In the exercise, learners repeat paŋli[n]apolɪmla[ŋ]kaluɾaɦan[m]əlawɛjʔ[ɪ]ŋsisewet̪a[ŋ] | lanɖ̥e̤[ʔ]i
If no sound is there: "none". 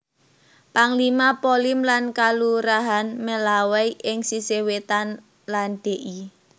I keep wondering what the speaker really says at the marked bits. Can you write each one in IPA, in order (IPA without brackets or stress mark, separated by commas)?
m, n, m, ɪ, n, ʔ